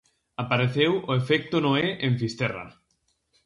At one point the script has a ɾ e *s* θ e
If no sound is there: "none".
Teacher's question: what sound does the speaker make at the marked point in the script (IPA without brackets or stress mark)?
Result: none